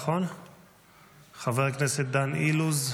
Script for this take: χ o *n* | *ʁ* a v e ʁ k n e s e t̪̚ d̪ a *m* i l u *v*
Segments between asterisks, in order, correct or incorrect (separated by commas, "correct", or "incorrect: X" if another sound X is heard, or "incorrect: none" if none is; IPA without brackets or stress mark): correct, incorrect: χ, incorrect: n, incorrect: z